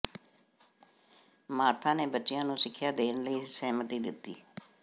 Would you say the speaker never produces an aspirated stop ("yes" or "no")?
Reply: no